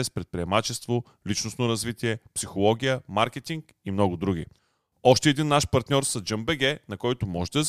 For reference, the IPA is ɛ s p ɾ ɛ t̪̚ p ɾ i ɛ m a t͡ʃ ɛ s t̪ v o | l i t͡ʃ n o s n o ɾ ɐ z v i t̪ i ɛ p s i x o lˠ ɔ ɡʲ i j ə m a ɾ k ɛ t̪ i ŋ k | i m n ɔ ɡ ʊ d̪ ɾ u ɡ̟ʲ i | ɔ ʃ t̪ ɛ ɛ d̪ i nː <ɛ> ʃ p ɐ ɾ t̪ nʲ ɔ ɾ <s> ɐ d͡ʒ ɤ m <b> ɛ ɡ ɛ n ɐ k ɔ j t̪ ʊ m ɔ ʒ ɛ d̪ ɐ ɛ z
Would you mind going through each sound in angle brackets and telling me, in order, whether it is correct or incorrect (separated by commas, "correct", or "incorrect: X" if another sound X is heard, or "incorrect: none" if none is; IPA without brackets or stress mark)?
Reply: incorrect: a, correct, correct